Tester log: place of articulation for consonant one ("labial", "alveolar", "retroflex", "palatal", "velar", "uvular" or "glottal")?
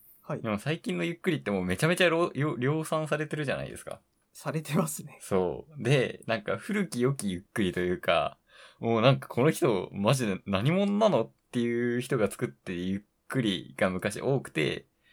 glottal